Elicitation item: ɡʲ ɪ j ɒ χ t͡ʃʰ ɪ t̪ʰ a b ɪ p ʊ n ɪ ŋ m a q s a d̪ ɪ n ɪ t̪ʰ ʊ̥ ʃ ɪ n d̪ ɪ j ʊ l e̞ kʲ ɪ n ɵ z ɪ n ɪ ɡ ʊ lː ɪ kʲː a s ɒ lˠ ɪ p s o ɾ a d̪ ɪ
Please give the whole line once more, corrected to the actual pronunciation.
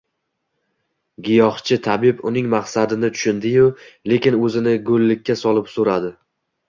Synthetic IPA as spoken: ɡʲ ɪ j ɒ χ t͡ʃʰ ɪ t̪ʰ a b ɪ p ʊ n ɪ ŋ m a q s a d̪ ɪ n ɪ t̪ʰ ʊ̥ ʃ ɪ n d̪ ɪ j ʊ l e̞ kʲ ɪ n ɵ z ɪ n ɪ ɡ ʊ lː ɪ kʲː a s ɒ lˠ ɪ p s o ɾ a d̪ ɪ